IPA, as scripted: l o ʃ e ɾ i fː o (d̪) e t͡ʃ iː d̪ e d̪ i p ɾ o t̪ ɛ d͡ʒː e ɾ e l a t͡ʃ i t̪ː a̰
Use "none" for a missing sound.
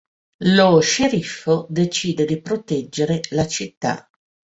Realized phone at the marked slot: d̪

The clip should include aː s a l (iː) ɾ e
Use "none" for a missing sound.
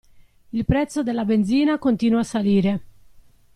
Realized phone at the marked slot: iː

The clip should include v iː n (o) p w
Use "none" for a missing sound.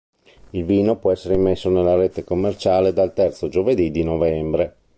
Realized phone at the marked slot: o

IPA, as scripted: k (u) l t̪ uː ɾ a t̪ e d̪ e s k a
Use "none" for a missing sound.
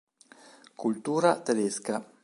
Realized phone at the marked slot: u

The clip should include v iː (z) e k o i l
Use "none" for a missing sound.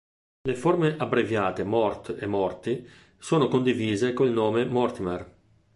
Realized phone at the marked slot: z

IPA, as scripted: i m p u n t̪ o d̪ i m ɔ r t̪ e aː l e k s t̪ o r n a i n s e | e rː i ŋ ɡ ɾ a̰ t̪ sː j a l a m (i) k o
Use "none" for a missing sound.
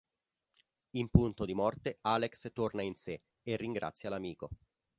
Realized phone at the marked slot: iː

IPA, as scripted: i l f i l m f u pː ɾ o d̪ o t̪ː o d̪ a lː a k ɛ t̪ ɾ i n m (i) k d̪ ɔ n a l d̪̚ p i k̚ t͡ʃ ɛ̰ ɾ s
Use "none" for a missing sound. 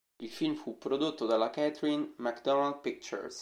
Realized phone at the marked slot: a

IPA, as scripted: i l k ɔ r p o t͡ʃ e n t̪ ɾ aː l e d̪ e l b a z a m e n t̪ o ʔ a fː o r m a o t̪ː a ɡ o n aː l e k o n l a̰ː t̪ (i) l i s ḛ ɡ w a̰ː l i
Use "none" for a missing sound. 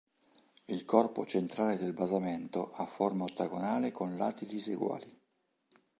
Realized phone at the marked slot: i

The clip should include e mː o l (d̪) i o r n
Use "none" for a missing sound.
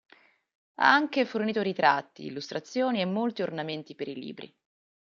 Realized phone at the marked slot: t̪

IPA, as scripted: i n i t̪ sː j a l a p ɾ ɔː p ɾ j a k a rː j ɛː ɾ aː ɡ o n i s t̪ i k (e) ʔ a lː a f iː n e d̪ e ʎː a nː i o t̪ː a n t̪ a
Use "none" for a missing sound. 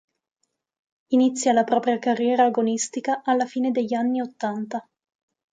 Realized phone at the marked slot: a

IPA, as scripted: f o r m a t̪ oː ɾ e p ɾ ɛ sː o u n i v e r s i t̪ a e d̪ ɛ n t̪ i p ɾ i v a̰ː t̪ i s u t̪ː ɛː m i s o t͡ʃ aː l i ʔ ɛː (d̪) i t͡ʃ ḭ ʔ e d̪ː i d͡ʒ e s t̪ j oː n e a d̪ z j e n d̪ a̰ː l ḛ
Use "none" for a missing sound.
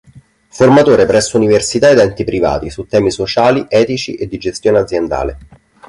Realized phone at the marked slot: t̪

